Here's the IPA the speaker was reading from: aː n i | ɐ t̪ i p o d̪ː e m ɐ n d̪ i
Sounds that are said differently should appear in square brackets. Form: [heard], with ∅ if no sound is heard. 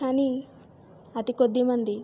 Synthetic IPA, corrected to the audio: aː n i | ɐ t̪ i [k] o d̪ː [i] m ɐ n d̪ i